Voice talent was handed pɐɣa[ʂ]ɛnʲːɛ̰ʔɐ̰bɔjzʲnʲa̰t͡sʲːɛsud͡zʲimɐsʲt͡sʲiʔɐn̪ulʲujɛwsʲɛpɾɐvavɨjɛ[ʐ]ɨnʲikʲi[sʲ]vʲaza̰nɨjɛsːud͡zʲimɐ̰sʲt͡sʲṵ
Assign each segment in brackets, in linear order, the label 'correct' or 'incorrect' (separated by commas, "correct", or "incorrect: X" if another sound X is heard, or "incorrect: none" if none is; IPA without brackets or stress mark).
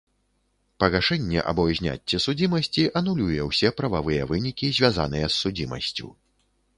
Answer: correct, incorrect: v, incorrect: zʲ